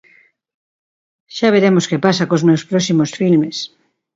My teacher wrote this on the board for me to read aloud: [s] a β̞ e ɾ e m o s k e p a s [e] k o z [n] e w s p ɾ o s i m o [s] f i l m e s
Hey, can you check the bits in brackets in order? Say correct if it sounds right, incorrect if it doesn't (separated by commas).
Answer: incorrect, incorrect, incorrect, correct